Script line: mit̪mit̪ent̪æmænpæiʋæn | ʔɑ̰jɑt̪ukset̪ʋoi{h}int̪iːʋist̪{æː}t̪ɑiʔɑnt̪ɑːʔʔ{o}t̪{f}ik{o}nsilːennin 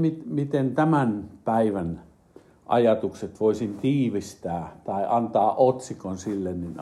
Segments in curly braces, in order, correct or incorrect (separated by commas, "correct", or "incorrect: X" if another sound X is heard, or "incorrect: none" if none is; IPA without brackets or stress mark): incorrect: s, correct, correct, incorrect: s, correct